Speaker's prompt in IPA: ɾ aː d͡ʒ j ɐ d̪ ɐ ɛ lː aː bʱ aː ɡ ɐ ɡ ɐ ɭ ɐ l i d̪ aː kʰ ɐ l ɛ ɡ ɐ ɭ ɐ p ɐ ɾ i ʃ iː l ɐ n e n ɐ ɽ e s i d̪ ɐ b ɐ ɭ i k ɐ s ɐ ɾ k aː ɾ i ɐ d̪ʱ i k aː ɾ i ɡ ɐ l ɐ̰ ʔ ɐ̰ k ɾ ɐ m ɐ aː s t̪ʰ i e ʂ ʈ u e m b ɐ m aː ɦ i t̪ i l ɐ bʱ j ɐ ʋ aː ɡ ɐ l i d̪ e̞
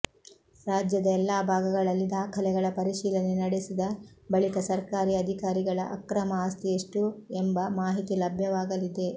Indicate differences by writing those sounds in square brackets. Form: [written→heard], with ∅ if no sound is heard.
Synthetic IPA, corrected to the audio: ɾ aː d͡ʒ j ɐ d̪ ɐ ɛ lː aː bʱ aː ɡ ɐ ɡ ɐ ɭ ɐ [l→lː] i d̪ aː kʰ ɐ l ɛ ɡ ɐ ɭ ɐ p ɐ ɾ i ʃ iː l ɐ n e n ɐ ɽ e s i d̪ ɐ b ɐ ɭ i k ɐ s ɐ ɾ k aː ɾ i ɐ d̪ʱ i k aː ɾ i ɡ ɐ [l→ɭ] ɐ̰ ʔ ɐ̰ k ɾ ɐ m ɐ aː s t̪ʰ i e ʂ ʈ u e m b ɐ m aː ɦ i t̪ i l ɐ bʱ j ɐ ʋ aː ɡ ɐ l i d̪ e̞